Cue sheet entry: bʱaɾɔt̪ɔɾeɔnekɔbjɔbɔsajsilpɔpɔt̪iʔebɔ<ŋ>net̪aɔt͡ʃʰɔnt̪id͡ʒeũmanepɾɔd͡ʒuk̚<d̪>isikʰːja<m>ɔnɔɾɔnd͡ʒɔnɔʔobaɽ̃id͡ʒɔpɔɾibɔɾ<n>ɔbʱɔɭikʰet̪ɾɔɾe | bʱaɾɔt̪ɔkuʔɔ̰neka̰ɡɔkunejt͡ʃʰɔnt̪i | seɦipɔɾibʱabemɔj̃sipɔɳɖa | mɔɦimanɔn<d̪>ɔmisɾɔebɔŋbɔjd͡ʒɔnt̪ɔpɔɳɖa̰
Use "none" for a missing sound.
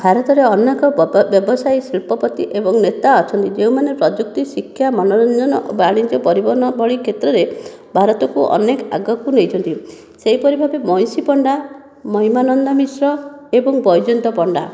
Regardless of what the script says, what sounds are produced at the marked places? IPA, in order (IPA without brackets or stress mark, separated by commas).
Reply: ŋ, t̪, m, n, d̪